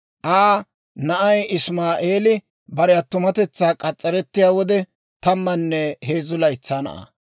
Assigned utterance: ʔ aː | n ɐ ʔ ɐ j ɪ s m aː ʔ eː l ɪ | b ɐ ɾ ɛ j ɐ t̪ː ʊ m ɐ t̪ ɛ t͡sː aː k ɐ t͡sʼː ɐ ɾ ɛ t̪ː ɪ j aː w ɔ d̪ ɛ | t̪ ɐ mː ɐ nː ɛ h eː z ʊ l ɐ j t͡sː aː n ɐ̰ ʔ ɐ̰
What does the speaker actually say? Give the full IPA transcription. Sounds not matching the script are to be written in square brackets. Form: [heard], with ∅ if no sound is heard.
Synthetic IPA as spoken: ʔ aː | n ɐ ʔ ɐ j ɪ s m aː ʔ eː l ɪ | b ɐ ɾ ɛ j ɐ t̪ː ʊ m ɐ t̪ ɛ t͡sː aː [kʼ] ɐ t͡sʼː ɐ ɾ ɛ t̪ː ɪ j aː w ɔ d̪ ɛ | t̪ ɐ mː ɐ nː ɛ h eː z ʊ l ɐ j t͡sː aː n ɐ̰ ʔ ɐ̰